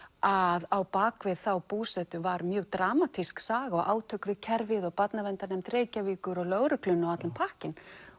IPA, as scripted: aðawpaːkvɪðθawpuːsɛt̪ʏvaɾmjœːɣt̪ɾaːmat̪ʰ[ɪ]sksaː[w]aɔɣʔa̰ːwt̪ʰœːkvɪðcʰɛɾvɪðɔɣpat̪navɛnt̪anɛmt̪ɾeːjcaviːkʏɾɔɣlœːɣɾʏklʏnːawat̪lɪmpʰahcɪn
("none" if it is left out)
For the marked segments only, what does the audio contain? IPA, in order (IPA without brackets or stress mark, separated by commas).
i, ɣ